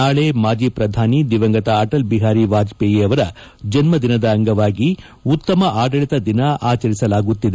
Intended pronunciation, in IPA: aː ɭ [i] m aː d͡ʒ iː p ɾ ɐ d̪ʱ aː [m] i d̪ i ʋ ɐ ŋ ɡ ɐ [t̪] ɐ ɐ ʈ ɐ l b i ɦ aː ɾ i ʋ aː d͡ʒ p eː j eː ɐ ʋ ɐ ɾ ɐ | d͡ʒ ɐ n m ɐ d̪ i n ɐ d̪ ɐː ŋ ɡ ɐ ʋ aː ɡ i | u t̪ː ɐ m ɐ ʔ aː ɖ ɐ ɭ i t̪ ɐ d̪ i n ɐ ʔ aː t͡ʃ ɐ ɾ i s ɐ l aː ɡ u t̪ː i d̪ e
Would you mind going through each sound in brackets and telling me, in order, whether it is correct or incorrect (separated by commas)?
incorrect, incorrect, correct